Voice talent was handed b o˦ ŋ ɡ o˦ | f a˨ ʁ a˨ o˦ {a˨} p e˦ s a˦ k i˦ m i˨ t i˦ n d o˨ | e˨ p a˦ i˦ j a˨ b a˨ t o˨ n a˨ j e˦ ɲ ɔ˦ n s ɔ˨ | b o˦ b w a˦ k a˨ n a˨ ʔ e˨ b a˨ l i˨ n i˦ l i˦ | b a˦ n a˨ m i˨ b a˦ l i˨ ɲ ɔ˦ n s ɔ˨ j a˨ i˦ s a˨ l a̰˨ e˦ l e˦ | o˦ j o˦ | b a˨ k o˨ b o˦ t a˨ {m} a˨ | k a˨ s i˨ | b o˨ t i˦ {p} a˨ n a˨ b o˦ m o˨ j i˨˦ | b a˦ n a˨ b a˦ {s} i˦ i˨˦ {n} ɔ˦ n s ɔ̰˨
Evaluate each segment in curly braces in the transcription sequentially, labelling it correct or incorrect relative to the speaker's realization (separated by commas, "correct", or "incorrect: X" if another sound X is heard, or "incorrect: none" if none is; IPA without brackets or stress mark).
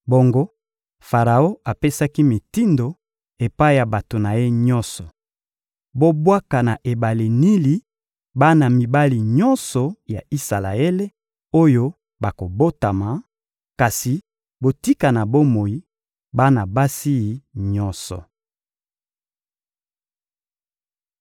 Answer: correct, correct, incorrect: k, correct, incorrect: ɲ